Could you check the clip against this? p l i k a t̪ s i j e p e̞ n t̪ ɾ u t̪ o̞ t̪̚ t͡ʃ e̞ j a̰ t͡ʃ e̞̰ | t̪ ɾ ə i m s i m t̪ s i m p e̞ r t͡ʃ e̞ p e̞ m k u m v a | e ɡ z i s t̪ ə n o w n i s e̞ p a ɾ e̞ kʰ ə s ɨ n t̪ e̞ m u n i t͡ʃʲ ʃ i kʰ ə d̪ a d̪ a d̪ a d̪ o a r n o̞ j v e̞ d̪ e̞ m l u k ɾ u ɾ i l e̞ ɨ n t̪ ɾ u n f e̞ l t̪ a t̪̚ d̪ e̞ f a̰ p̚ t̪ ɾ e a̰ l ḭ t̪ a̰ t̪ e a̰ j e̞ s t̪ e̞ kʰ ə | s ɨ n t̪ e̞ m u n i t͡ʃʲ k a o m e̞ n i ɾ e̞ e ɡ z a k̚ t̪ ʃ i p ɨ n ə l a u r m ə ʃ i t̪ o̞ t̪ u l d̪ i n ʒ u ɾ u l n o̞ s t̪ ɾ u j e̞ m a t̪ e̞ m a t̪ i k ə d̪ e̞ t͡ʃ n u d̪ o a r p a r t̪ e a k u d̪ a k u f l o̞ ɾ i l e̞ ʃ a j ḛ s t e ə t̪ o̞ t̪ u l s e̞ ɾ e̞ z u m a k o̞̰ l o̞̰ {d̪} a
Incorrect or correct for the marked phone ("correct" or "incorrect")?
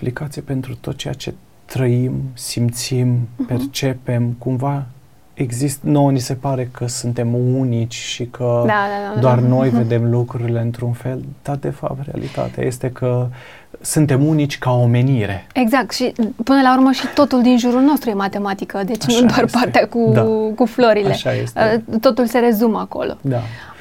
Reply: correct